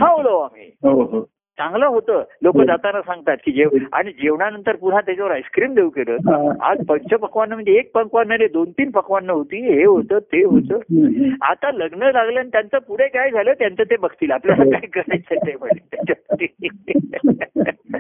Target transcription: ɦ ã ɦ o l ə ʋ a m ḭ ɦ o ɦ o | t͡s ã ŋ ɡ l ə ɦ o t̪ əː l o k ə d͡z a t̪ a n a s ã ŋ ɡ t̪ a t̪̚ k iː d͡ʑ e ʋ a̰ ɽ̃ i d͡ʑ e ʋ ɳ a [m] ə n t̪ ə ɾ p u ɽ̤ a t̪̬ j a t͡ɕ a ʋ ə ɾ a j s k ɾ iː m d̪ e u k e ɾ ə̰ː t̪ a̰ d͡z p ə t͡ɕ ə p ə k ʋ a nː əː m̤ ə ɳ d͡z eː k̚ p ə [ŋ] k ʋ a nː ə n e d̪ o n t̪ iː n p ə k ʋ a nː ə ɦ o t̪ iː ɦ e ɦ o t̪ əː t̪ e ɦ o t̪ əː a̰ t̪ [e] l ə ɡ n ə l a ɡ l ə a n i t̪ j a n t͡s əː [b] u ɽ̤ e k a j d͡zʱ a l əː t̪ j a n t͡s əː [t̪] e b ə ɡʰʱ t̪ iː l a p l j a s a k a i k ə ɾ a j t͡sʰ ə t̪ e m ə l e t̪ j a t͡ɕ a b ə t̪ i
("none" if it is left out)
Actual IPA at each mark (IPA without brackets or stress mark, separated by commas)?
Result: n, ŋ, a, p, t̪